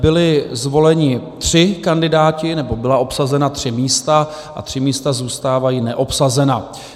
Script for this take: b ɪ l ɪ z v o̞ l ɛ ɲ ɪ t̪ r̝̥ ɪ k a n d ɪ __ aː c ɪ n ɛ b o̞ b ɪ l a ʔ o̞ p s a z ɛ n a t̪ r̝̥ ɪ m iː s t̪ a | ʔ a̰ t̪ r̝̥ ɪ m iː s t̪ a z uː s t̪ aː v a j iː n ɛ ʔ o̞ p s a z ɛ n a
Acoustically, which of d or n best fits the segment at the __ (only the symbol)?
d